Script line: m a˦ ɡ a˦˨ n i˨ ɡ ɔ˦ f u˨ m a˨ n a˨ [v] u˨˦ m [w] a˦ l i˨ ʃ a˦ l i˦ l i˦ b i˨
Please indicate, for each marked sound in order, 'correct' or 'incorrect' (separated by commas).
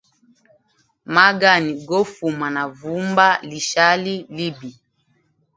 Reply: correct, incorrect